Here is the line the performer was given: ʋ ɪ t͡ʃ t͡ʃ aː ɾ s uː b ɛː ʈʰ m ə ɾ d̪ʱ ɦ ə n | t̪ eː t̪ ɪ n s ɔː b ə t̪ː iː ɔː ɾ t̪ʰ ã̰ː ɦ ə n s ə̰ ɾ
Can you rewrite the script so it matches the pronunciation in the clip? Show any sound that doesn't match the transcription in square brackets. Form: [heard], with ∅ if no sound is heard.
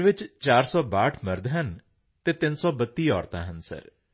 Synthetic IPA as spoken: ʋ ɪ t͡ʃ t͡ʃ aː ɾ s [ɔː] b [aː] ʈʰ m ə ɾ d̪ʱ ɦ ə n | t̪ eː t̪ ɪ n s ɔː b ə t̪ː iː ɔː ɾ [t̪] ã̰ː ɦ ə n s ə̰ ɾ